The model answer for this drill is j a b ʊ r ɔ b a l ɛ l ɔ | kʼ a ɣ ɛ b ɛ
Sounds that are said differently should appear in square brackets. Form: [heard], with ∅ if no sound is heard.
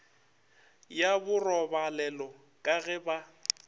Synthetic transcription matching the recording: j a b ʊ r ɔ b a l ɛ l ɔ | kʼ a ɣ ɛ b [a]